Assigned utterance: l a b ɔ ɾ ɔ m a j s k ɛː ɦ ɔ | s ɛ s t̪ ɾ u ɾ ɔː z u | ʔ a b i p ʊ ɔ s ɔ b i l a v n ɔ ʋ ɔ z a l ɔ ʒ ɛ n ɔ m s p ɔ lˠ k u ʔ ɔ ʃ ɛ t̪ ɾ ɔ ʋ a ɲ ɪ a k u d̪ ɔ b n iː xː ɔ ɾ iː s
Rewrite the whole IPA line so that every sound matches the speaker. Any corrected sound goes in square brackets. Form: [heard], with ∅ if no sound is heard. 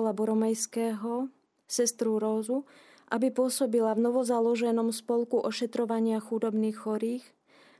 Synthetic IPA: l a b ɔ ɾ ɔ m [ɛ] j s k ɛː ɦ ɔ | s ɛ s t̪ ɾ u ɾ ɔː z u | ʔ a b i p ʊ ɔ s ɔ b i l a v n ɔ ʋ ɔ z a l ɔ ʒ ɛ n ɔ m s p ɔ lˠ k u ʔ ɔ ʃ ɛ t̪ ɾ ɔ ʋ a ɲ ɪ a [x] u d̪ ɔ b n iː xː ɔ ɾ iː [x]